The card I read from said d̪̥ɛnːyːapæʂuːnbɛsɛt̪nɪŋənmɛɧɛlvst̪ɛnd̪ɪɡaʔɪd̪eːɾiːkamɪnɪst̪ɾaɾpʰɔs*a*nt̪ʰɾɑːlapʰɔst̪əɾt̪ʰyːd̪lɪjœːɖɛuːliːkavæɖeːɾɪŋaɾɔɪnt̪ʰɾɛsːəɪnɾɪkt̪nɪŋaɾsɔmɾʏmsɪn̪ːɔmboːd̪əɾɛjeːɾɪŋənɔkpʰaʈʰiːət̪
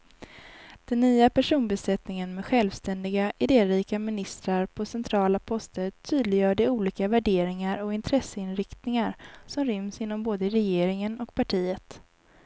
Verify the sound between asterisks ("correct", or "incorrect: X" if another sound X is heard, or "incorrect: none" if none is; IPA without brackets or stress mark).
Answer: incorrect: ɛ